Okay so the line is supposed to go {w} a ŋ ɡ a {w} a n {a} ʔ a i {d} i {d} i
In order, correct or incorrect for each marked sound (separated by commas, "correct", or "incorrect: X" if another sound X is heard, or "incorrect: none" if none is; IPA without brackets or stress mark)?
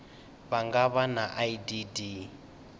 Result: incorrect: β, incorrect: β, correct, correct, correct